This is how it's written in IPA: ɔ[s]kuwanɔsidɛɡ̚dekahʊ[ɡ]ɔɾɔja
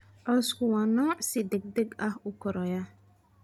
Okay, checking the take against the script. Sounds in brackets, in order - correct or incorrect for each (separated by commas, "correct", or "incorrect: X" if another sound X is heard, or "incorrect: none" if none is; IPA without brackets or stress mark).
correct, incorrect: k